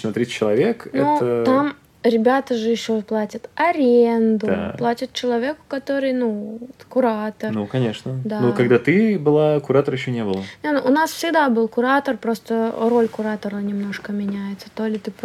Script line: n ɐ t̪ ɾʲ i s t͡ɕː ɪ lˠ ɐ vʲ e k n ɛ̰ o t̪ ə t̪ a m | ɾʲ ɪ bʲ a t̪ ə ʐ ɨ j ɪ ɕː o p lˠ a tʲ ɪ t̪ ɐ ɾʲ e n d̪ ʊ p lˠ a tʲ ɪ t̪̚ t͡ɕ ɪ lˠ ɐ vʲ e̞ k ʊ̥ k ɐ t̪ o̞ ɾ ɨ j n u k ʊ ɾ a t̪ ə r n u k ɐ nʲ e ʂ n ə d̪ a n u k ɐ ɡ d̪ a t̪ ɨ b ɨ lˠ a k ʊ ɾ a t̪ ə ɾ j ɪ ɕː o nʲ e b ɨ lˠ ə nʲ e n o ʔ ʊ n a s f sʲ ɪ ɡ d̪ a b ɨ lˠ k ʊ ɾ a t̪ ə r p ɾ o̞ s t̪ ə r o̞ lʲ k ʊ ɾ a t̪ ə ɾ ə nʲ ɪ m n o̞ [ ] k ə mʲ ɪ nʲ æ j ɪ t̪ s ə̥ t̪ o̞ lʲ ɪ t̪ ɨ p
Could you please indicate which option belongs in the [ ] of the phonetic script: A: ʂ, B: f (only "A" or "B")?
A